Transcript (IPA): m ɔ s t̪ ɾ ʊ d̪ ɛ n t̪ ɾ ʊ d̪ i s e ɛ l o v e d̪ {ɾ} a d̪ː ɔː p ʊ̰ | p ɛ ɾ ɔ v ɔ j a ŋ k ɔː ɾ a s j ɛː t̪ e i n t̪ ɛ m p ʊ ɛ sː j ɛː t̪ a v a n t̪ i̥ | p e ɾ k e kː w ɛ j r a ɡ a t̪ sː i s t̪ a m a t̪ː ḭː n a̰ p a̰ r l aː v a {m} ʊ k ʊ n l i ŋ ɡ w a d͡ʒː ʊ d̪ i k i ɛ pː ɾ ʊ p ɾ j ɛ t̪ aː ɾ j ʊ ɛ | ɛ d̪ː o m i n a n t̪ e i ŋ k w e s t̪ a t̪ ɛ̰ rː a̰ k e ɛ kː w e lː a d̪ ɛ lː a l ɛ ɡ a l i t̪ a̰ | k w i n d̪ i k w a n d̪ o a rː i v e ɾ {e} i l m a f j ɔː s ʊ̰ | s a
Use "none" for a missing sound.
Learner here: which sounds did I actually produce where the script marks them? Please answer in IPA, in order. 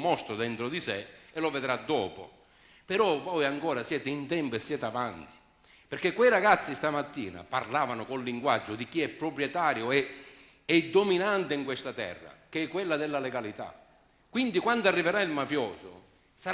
ɾ, n, a

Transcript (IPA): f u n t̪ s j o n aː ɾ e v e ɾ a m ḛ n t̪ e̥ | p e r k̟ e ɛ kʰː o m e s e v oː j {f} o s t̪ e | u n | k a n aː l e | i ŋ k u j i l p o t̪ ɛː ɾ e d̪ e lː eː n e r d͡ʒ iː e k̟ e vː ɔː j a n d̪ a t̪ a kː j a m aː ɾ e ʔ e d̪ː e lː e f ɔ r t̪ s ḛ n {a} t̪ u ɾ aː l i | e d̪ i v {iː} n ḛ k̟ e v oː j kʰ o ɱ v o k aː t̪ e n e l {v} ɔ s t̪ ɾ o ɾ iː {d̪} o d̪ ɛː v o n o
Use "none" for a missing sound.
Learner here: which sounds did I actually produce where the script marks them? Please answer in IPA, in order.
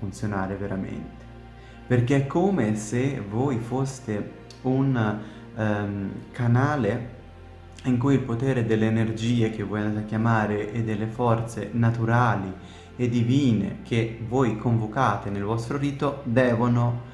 f, a, iː, v, t̪

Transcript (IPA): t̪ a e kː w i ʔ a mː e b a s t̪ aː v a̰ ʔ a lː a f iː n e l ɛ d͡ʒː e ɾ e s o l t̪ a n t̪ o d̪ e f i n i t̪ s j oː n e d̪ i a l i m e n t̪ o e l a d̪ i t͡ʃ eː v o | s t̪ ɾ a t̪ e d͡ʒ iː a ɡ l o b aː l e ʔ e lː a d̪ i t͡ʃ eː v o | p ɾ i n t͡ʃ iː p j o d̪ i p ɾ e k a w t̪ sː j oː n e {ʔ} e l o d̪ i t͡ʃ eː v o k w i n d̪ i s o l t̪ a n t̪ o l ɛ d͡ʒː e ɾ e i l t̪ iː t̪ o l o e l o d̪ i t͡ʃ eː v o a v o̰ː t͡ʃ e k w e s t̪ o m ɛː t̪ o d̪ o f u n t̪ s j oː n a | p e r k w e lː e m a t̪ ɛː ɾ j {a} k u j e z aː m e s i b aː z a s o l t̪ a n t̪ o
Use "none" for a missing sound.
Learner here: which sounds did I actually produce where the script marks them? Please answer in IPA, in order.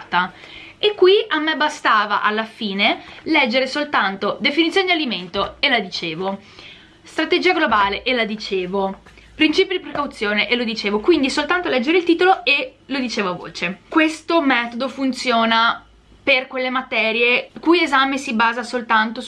ʔ, e

